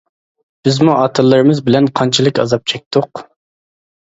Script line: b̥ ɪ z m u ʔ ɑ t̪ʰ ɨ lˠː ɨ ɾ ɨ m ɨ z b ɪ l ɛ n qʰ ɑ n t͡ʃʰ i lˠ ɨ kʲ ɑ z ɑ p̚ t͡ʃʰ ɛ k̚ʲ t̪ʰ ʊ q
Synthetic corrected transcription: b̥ ɪ z m u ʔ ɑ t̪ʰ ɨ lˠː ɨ ɾ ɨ m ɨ z b ɪ l ɛ n qʰ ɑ n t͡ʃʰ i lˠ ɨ kʲ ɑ z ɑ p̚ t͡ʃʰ ɛ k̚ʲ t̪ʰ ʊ q